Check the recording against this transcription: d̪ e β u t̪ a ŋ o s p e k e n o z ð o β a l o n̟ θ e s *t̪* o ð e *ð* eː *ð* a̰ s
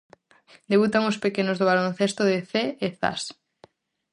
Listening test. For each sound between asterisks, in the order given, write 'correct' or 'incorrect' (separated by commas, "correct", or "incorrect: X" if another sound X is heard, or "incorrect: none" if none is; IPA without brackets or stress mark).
correct, incorrect: θ, incorrect: θ